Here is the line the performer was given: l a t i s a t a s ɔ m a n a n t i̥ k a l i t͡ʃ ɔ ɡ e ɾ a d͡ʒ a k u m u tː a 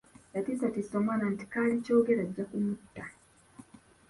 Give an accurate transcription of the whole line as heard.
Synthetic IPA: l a t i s a t i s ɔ m a n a n t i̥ k a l i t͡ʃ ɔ ɡ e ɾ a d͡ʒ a k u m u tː a

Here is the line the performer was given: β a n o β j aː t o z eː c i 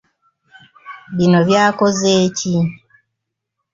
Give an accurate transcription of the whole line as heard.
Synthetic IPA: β i n o β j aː k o z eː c i

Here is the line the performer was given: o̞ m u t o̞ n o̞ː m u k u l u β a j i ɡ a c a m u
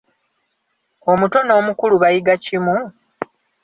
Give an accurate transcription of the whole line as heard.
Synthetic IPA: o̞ m u t o̞ n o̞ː m u k u l u β a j i ɡ a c i m u

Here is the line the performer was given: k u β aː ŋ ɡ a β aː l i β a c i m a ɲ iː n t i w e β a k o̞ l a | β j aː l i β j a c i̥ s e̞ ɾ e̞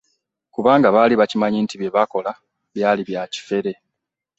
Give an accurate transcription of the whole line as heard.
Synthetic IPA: k u β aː ŋ ɡ a β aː l i β a c i m a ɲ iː n t i β e β a k o̞ l a | β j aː l i β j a c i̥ f e̞ ɾ e̞

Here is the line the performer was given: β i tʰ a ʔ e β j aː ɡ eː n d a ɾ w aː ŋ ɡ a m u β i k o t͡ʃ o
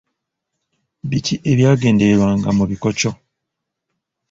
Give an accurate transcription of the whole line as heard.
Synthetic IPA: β i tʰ i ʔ e β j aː ɡ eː n d e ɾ w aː ŋ ɡ a m u β i k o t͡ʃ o

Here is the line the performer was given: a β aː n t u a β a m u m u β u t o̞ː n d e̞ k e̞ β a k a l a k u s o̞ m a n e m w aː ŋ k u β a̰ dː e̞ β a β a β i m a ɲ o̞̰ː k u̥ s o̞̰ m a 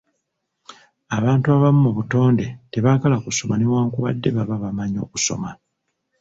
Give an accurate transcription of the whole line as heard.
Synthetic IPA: a β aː n t u a β a m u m u β u t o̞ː n d e̞ t e̞ β a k a l a k u s o̞ m a n e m w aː ŋ k u β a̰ dː e̞ β a β a β a m a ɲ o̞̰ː k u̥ s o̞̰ m a

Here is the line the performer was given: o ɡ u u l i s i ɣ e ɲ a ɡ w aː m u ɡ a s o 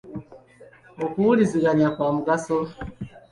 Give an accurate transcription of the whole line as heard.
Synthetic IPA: o k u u l i z i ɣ a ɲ a k w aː m u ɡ a s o

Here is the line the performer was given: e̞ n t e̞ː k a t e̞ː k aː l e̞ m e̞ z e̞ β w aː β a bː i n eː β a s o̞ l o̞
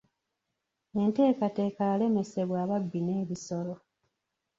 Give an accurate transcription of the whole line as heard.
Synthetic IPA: e̞ n t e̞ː k a t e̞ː k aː l e̞ m e̞ s e̞ β w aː β a bː i n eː β i s o̞ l o̞

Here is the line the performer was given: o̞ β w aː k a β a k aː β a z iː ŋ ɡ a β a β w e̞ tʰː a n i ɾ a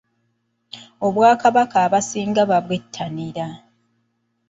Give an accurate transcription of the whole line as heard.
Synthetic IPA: o̞ β w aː k a β a k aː β a s iː ŋ ɡ a β a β w e̞ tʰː a n i ɾ a

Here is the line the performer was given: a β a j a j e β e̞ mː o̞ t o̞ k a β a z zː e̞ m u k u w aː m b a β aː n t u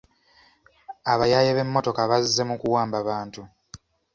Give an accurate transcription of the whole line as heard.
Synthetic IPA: a β a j a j e β e̞ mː o̞ t o̞ k a β a z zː e̞ m u k u w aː m b a β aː n t u

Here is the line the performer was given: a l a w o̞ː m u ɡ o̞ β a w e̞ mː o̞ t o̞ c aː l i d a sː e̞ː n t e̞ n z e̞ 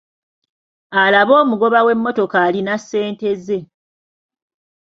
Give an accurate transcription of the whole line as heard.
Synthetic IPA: a l a β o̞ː m u ɡ o̞ β a w e̞ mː o̞ t o̞ k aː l i n a sː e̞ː n t e̞ z e̞

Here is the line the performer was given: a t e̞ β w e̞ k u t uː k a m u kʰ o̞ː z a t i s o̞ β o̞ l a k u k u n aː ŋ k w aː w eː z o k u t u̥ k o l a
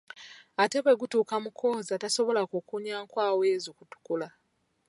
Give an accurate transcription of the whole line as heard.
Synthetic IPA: a t e̞ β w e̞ ɡ u t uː k a m u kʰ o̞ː z a t a s o̞ β o̞ l a k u k u ɲ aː ŋ k w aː w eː z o k u t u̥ k u l a

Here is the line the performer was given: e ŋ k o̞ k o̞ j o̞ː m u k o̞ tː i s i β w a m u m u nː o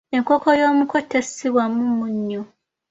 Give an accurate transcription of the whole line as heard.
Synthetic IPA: e ŋ k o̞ k o̞ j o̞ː m u k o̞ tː e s i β w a m u m u ɲː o

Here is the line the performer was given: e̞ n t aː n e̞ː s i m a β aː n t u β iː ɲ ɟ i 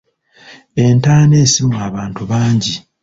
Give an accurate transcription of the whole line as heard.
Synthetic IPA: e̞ n t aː n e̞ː s i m a β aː n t u β aː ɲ ɟ i

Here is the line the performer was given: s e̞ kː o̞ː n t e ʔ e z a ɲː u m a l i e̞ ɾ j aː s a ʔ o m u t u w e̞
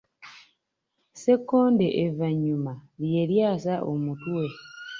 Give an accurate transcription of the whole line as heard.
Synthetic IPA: s e̞ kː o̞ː n d e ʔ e v a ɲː u m a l j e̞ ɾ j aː s a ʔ o m u t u w e̞

